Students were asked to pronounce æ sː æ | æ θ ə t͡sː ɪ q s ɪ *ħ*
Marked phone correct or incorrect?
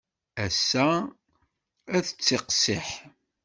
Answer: correct